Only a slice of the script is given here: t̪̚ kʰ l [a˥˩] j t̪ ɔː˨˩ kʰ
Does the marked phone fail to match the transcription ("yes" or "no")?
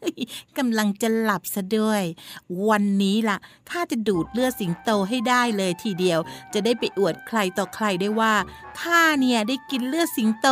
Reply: yes